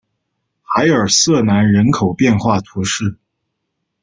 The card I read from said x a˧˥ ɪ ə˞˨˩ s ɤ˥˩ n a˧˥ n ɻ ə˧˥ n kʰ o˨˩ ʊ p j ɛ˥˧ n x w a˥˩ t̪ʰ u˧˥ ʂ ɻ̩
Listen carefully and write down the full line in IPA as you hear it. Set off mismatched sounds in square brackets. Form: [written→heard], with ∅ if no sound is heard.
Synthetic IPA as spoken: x a˧˥ ɪ ə˞˨˩ s ɤ˥˩ n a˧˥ n ɻ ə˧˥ n kʰ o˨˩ ʊ p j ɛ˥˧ n x w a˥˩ t̪ʰ u˧˥ ʂ ɻ̩